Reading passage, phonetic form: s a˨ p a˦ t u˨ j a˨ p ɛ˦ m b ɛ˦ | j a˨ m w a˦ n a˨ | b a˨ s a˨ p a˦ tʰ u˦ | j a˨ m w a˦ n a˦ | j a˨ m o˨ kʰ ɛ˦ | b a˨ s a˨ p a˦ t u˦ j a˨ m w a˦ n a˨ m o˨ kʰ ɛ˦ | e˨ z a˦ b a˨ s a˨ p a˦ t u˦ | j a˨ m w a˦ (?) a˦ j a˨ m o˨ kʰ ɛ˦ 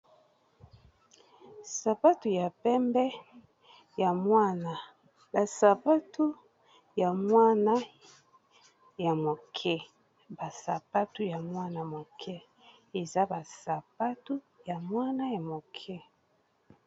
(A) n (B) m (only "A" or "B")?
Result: A